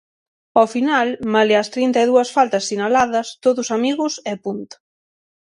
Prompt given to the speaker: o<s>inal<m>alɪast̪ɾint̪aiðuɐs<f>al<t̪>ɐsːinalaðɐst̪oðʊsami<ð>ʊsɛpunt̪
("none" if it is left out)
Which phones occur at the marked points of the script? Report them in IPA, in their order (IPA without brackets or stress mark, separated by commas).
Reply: f, m, f, t̪, ɣ